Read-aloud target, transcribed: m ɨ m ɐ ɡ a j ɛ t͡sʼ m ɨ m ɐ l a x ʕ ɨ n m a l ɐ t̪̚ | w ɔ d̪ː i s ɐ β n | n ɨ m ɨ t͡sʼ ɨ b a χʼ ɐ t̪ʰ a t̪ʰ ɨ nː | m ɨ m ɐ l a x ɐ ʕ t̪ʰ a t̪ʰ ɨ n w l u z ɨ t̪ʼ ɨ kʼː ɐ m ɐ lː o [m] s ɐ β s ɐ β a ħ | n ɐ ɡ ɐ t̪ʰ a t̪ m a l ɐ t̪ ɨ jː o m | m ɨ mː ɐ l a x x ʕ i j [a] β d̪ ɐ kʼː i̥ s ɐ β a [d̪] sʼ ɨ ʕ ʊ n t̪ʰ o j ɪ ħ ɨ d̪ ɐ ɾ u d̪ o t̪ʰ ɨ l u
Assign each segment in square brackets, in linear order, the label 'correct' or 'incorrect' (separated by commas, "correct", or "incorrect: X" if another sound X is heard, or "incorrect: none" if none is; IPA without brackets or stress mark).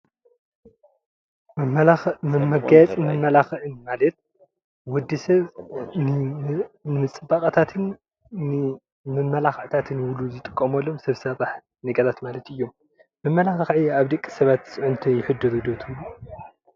correct, correct, incorrect: t̪